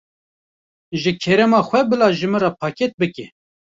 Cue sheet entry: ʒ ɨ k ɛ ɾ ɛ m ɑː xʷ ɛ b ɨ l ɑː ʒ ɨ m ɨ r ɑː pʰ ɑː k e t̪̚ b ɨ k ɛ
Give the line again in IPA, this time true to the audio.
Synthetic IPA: ʒ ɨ kʰ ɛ ɾ ɛ m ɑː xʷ ɛ b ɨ l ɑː ʒ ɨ m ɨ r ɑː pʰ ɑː k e t̪̚ b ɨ k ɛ